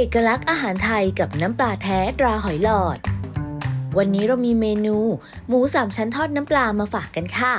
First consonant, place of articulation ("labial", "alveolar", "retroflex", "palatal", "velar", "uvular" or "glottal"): glottal